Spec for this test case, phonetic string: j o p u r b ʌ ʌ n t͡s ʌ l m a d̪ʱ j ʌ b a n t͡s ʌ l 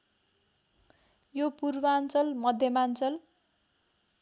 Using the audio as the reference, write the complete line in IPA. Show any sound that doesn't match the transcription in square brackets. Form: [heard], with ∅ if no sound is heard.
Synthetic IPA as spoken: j o p u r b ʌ [a] n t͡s ʌ l m [ʌ] d̪ʱ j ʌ [m] a n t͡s ʌ l

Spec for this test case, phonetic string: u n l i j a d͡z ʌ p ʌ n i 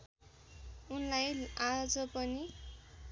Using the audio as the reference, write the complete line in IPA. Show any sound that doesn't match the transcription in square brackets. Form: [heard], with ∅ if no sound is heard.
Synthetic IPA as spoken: u n l [a] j a d͡z ʌ p ʌ n i

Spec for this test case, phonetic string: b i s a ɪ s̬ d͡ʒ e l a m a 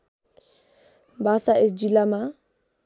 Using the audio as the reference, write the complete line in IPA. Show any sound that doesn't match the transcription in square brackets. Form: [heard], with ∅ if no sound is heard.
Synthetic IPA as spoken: b [a] s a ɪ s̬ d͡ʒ [i] l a m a

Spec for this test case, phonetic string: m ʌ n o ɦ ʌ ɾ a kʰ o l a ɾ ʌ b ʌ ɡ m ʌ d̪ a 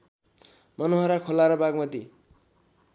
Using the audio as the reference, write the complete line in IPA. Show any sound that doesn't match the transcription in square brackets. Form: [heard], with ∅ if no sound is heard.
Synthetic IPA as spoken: m ʌ n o ɦ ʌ ɾ a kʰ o l a ɾ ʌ b [a] ɡ m ʌ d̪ [i]

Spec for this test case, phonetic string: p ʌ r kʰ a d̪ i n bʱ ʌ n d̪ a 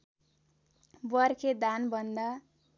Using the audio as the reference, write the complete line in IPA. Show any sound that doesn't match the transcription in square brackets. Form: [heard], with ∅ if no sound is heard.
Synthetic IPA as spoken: [b] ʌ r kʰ [e] d̪ [a] n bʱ ʌ n d̪ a

